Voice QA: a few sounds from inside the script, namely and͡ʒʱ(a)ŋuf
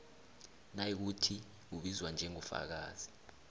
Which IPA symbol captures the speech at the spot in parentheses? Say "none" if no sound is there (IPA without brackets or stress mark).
ɛ